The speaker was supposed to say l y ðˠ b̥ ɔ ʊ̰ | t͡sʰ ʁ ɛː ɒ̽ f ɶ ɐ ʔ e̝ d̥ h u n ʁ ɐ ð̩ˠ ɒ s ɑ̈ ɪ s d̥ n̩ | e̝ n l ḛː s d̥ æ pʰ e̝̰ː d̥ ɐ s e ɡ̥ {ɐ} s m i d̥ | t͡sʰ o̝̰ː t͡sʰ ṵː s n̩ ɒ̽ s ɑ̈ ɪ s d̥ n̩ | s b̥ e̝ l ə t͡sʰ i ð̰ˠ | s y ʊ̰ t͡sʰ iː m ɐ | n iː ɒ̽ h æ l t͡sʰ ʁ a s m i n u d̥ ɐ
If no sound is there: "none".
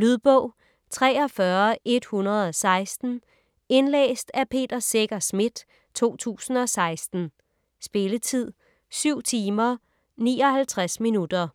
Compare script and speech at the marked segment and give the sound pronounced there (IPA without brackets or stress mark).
ɐ